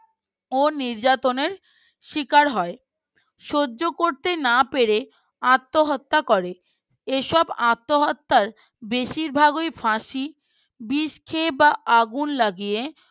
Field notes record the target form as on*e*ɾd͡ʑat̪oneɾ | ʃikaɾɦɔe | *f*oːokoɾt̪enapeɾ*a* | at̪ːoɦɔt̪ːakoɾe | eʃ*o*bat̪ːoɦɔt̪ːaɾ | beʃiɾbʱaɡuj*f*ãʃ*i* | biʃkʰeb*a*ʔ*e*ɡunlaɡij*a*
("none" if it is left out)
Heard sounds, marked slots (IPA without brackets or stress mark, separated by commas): i, ʃ, e, ɔ, f, i, a, a, e